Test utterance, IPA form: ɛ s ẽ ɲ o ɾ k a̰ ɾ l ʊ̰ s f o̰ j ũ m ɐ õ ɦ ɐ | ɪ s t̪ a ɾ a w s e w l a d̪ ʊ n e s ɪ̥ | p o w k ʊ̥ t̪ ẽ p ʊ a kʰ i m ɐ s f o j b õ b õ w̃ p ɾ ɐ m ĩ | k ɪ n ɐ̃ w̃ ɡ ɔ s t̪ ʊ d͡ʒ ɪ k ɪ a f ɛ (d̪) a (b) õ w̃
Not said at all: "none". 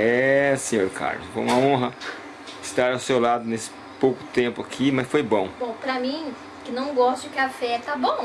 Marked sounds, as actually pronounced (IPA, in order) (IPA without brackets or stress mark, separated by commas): t̪, b